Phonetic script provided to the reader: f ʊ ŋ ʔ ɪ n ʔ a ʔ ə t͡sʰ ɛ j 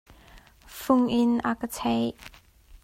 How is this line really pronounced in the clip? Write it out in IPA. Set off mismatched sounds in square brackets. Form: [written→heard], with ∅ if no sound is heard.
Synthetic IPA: f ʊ ŋ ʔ ɪ n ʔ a [ʔ→k] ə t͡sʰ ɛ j